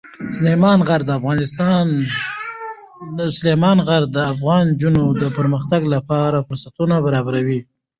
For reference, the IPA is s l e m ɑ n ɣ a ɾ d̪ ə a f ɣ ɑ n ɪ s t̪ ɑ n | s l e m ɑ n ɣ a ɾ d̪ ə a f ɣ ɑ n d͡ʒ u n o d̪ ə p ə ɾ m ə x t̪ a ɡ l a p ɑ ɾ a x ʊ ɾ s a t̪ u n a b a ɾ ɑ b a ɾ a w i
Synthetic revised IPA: s l e m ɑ n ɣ a ɾ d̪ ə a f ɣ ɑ n ɪ s t̪ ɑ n | s l e m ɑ n ɣ a ɾ d̪ ə a f ɣ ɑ n d͡ʒ u n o d̪ ə p ə ɾ m ə x t̪ a ɡ l a p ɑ ɾ a f ʊ ɾ s a t̪ u n a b a ɾ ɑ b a ɾ a w i